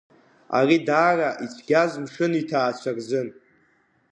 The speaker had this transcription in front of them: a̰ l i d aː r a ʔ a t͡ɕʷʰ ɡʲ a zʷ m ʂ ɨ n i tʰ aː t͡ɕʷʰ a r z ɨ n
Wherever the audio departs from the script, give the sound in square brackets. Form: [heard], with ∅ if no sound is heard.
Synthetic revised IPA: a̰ [r] i d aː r a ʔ [i] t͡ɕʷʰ ɡʲ a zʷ m ʂ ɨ n i tʰ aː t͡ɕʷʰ a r z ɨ n